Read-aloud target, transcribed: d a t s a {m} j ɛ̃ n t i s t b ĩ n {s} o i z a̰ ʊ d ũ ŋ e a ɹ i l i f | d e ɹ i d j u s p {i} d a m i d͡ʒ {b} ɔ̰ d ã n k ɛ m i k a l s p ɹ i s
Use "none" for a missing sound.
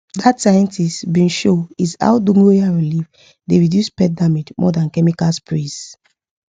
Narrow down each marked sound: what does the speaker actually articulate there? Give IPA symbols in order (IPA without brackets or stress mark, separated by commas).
none, ʃ, ɛ, m